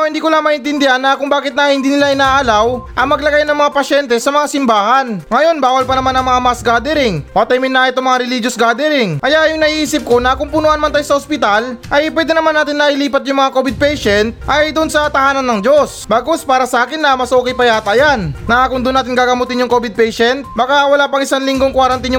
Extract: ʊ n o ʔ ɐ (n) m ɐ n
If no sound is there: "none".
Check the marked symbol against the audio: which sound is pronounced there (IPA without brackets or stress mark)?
n